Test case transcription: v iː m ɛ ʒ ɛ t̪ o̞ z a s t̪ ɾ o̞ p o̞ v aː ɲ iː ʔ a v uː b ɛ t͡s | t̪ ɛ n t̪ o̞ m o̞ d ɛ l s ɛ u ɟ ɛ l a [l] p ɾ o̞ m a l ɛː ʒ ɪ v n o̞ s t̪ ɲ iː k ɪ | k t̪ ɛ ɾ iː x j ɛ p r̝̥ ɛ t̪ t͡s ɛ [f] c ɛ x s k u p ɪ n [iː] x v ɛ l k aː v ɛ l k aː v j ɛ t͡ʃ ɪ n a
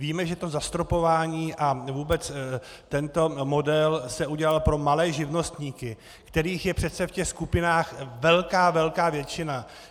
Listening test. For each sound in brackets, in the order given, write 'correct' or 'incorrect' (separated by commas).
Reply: correct, correct, incorrect